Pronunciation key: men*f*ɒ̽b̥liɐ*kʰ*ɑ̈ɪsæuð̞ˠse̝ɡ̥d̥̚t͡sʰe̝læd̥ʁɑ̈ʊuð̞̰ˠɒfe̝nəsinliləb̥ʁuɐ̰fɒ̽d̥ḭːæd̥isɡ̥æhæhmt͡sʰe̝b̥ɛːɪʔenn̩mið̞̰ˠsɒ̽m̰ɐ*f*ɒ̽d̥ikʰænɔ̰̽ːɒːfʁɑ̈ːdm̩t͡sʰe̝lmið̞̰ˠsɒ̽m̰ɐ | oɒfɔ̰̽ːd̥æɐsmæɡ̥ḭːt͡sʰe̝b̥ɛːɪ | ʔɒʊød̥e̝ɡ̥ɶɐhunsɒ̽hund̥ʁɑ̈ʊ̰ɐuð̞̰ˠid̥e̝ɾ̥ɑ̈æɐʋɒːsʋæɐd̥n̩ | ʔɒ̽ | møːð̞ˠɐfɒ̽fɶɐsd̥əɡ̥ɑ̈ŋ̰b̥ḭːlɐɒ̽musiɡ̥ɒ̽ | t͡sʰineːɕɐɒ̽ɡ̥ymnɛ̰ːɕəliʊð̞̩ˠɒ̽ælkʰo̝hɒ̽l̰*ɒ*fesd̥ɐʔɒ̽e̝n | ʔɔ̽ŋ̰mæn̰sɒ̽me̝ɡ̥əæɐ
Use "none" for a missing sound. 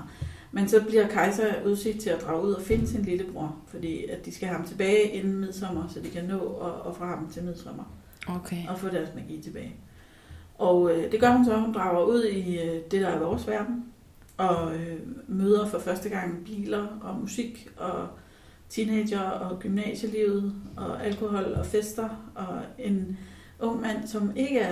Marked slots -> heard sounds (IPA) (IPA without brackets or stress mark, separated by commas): s, kʰ, s, ɒ